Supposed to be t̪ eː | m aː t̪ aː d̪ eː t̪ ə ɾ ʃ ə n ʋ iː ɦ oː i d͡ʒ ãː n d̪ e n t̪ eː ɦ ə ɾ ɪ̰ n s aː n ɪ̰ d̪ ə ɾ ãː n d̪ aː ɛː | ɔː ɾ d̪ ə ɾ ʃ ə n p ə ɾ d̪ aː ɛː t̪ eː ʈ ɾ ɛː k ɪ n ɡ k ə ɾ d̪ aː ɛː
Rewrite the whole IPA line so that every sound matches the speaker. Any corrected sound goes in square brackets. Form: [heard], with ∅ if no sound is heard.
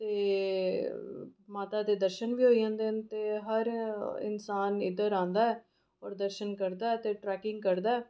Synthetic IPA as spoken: t̪ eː | m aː t̪ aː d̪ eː [d̪] ə ɾ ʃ ə n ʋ iː ɦ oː i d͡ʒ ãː n d̪ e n t̪ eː ɦ ə ɾ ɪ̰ n s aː n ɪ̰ d̪ ə ɾ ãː n d̪ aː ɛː | ɔː ɾ d̪ ə ɾ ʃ ə n [k] ə ɾ d̪ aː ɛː t̪ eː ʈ ɾ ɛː k ɪ [ŋ] ɡ k ə ɾ d̪ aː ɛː

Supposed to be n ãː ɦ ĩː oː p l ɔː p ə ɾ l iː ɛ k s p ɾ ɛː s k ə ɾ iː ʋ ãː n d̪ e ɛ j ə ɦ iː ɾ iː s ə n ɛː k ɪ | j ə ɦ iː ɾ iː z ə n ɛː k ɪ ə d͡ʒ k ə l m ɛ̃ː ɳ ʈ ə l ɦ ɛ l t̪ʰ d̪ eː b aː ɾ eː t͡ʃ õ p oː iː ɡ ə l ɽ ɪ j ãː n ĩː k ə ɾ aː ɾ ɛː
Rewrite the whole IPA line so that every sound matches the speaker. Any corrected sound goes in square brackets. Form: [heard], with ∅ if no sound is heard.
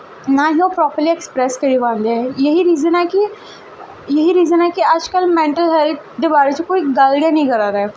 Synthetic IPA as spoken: n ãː ɦ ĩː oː p [ɾ] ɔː p ə ɾ l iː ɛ k s p ɾ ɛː s k ə ɾ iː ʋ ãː n d̪ e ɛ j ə ɦ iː ɾ iː [z] ə n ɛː k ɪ | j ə ɦ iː ɾ iː z ə n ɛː k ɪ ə d͡ʒ k ə l m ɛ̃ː ɳ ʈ ə l ɦ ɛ l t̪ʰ d̪ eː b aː ɾ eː t͡ʃ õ [k] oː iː ɡ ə l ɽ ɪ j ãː n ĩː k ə ɾ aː ɾ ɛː

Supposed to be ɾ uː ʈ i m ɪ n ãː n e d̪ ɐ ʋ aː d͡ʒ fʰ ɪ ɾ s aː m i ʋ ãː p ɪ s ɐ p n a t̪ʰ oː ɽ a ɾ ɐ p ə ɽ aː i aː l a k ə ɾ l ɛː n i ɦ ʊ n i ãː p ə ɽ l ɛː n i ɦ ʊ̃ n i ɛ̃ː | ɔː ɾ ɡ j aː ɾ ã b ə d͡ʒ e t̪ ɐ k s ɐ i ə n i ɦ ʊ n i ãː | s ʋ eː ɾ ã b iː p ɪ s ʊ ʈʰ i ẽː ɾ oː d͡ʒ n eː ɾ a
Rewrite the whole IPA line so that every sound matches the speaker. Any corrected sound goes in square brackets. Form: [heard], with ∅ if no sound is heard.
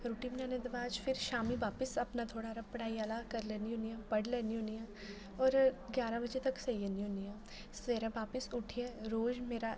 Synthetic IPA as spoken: ɾ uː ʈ i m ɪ n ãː n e d̪ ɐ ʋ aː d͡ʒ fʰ ɪ ɾ [ʃ] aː m i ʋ [aː] p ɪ s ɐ p n a t̪ʰ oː ɽ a ɾ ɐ p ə ɽ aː i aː l a k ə ɾ l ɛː n i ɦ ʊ n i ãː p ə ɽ l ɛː n i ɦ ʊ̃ n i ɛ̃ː | ɔː ɾ ɡ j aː ɾ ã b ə d͡ʒ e t̪ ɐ k s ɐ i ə n i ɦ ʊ n i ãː | s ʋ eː ɾ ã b [aː] p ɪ s ʊ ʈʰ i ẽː ɾ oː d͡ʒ [m] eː ɾ a

